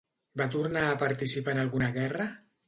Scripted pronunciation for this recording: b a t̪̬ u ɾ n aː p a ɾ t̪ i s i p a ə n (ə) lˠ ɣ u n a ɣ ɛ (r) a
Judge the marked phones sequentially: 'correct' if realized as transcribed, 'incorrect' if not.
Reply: incorrect: a, correct

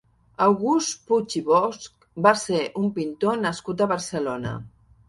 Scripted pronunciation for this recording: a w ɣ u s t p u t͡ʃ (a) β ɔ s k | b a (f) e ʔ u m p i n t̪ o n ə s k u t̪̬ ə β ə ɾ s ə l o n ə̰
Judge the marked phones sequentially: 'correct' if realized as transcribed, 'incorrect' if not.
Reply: incorrect: i, incorrect: s

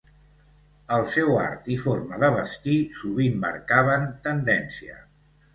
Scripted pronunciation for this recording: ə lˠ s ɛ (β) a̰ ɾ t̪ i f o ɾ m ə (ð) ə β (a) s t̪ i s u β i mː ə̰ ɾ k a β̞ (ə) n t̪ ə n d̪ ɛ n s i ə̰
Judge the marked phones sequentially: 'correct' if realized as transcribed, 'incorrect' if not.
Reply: incorrect: w, correct, incorrect: ə, correct

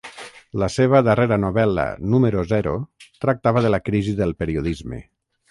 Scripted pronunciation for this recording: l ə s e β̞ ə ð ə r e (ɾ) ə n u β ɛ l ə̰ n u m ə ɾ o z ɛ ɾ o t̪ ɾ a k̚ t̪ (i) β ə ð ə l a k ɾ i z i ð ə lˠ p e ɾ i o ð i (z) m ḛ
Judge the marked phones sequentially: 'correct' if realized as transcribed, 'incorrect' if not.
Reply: correct, incorrect: a, correct

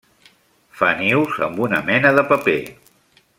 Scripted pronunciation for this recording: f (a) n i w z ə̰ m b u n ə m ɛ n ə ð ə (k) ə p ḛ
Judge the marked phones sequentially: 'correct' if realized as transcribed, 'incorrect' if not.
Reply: correct, incorrect: p

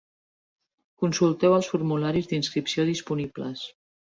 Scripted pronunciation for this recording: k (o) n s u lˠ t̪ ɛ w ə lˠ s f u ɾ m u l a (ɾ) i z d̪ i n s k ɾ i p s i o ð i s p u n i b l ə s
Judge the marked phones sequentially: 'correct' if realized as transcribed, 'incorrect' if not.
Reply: incorrect: u, correct

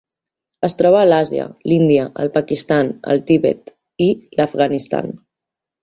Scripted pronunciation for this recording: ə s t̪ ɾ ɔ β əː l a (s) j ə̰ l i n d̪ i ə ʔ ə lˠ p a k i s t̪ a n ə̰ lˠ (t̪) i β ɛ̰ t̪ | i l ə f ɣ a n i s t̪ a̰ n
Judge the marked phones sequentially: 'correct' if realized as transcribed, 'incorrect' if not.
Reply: incorrect: z, correct

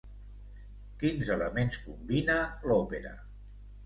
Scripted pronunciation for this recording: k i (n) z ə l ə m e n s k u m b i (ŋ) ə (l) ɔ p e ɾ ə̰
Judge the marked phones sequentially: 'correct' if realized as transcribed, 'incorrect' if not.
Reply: correct, incorrect: n, correct

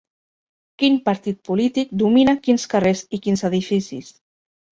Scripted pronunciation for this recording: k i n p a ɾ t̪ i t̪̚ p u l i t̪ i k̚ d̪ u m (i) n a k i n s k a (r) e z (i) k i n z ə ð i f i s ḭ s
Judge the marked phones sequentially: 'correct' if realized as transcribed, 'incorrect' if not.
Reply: correct, correct, correct

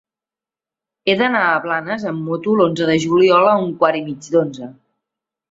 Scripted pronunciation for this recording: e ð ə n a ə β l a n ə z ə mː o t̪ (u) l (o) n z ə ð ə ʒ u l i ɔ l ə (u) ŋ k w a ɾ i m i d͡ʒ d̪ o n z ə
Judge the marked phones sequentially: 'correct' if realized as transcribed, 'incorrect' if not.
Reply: correct, correct, correct

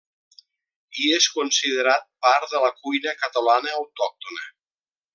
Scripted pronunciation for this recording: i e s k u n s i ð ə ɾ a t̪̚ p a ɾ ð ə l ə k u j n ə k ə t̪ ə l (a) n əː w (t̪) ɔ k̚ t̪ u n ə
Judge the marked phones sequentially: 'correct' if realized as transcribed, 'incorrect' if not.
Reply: correct, correct

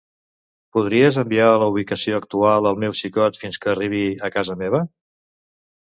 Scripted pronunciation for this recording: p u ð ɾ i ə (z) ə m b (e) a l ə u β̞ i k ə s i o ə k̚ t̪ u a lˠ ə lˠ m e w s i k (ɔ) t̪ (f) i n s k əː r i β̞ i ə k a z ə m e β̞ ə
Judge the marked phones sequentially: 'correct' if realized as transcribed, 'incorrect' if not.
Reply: correct, incorrect: i, correct, correct

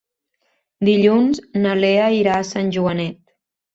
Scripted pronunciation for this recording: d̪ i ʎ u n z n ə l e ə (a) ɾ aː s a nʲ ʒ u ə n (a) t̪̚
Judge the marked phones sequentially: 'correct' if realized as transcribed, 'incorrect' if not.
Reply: incorrect: i, incorrect: ɛ

